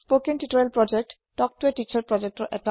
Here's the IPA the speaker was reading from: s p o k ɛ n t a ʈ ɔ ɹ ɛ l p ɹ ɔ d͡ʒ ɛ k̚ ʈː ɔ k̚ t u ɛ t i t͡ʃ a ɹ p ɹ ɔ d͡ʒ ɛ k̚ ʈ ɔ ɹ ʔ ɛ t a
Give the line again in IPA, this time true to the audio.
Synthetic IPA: s p o k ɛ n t i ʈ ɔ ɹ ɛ l p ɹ ɔ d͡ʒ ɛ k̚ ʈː ɔ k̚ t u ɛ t i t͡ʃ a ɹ p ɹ ɔ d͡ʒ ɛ k̚ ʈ ɔ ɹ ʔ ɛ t a